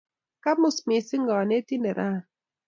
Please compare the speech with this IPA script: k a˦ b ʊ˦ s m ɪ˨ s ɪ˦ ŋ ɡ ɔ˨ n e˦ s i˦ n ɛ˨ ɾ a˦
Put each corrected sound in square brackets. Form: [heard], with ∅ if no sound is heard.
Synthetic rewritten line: k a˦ [m] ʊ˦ s m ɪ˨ s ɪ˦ ŋ ɡ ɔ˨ n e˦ [t] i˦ n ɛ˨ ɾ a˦